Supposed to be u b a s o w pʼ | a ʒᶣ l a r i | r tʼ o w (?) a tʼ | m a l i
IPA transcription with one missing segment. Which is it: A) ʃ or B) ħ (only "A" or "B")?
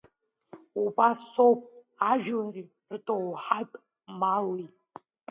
B